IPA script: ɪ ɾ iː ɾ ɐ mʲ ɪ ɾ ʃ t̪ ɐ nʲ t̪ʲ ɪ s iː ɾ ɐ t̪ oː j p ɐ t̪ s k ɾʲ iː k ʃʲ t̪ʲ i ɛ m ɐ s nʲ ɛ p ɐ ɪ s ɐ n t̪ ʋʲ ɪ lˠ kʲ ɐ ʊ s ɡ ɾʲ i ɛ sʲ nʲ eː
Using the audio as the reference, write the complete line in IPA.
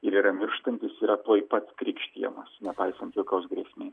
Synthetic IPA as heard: ɪ ɾ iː ɾ ɐ mʲ ɪ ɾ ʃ t̪ ɐ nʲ t̪ʲ ɪ s iː ɾ ɐ t̪ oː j p ɐ t̪ s k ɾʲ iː k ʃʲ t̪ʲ i ɛ m ɐ s nʲ ɛ p ɐ ɪ s ɐ n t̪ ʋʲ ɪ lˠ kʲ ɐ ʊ s ɡ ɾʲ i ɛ sʲ mʲ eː